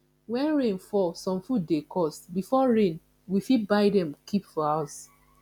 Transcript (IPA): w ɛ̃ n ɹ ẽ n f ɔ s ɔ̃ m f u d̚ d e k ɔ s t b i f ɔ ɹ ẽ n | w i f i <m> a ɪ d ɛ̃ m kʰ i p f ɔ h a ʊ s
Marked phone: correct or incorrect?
incorrect